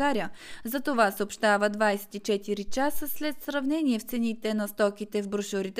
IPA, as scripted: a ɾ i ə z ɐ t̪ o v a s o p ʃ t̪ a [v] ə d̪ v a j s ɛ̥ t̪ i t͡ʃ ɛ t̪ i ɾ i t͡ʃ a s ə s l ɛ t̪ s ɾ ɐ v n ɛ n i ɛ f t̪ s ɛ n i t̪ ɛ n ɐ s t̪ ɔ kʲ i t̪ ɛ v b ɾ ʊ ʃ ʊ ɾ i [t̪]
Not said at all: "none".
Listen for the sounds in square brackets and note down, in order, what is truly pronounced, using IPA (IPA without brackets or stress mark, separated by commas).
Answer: v, t̪